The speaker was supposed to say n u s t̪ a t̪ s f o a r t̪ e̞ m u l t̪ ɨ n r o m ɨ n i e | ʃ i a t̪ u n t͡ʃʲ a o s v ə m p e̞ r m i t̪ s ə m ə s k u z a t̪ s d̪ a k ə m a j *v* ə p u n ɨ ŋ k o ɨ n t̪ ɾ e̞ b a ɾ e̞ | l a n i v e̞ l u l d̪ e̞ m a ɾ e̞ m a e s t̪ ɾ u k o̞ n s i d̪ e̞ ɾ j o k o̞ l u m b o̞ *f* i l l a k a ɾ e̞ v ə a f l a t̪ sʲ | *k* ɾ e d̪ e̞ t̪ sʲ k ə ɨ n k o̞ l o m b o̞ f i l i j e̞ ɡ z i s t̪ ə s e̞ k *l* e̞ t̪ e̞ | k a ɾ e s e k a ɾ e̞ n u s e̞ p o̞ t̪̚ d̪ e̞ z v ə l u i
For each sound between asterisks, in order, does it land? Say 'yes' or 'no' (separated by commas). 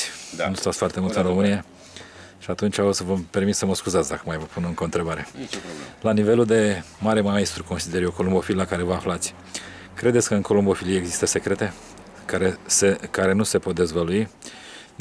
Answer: yes, yes, yes, no